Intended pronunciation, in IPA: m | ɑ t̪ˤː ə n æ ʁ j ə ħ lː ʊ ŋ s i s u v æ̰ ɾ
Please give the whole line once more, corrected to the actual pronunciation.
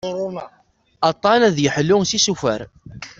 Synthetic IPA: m | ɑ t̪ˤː ɑ n æ ð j ə ħ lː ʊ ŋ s i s u f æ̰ ɾ